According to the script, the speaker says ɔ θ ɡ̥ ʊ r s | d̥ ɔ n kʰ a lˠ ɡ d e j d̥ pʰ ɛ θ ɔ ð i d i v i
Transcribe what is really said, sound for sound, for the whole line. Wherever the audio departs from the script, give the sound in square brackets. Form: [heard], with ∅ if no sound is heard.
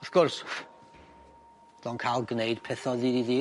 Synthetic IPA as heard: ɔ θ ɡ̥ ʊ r s | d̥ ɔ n kʰ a lˠ ɡ [n] e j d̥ pʰ ɛ θ ɔ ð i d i [ð] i